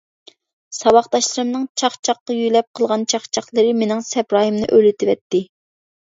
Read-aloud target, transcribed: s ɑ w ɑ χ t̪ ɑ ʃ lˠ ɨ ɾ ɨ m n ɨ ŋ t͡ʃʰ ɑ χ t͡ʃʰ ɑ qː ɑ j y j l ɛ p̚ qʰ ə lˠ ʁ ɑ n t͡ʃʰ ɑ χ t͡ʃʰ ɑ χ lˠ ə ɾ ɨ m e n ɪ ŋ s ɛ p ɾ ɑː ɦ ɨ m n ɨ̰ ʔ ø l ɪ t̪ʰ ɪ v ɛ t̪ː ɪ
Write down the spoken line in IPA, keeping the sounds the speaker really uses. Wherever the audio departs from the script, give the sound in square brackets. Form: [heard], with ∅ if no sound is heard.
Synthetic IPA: s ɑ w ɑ χ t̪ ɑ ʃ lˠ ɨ ɾ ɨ m n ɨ ŋ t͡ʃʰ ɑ χ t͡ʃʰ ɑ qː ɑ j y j l ɛ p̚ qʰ ə lˠ ʁ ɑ n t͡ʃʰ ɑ χ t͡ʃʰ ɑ χ lˠ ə ɾ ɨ m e n ɪ ŋ s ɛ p ɾ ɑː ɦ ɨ m n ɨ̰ ʔ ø l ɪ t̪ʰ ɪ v ɛ t̪ː ɪ